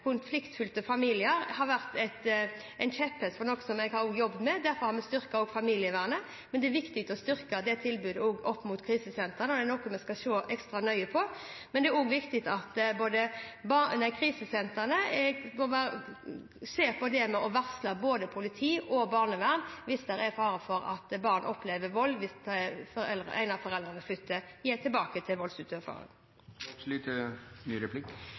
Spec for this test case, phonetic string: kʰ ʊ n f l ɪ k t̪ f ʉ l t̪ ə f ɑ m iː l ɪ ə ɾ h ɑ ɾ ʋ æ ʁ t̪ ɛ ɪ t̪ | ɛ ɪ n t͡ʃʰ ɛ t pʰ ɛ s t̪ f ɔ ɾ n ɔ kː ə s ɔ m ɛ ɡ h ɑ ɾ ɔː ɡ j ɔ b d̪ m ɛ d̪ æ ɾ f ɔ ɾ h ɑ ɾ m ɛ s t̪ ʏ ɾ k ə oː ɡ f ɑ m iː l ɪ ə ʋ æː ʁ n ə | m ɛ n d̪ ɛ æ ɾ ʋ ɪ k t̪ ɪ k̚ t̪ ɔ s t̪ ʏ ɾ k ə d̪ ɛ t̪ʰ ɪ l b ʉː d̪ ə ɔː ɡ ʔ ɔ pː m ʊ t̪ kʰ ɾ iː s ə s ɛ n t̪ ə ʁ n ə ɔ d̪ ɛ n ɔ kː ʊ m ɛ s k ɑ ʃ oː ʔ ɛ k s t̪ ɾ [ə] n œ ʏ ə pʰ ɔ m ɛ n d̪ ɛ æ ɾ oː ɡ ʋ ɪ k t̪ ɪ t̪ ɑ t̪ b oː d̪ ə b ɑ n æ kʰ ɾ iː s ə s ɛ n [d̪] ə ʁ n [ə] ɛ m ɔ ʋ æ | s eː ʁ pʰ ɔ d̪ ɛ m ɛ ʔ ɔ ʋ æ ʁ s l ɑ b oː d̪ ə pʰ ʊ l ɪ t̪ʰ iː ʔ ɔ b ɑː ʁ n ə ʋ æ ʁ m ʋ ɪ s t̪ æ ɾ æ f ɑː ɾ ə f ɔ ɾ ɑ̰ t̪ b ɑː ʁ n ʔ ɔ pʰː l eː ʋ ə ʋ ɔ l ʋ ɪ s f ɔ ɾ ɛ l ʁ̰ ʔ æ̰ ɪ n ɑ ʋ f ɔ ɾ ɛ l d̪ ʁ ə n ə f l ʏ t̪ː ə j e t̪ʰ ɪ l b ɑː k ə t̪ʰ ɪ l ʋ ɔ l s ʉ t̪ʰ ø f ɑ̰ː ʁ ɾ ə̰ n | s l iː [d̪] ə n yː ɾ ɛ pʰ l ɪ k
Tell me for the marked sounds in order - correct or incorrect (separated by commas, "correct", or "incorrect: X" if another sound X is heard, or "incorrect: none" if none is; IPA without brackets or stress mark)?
incorrect: ɑ, incorrect: t̪, correct, incorrect: t̪